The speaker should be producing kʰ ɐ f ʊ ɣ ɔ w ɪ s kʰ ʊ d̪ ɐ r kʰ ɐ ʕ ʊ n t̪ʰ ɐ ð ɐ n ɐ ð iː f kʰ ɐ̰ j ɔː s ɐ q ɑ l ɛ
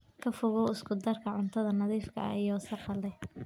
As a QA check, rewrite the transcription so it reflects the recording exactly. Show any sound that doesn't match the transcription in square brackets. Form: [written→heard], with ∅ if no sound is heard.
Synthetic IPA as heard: kʰ ɐ f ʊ ɣ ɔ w ɪ s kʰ ʊ d̪ ɐ r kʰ ɐ ʕ ʊ n t̪ʰ ɐ ð ɐ n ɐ ð iː f kʰ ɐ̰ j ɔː s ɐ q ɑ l ɛ